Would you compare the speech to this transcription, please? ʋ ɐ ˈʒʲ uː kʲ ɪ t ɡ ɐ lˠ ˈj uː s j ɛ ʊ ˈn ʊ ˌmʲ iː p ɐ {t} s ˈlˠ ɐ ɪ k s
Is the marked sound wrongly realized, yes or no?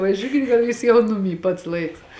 no